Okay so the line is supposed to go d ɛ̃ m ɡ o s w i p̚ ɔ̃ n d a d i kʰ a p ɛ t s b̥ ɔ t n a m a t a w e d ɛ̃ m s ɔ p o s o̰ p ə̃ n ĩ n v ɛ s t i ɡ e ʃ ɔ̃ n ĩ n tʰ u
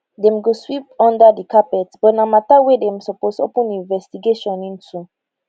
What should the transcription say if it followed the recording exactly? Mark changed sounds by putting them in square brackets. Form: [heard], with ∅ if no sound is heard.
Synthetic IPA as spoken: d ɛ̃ m ɡ o s w i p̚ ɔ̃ n d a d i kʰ a p ɛ t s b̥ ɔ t n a m a t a w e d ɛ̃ m s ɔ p o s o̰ p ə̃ n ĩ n v ɛ s t i ɡ e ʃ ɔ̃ n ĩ n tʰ u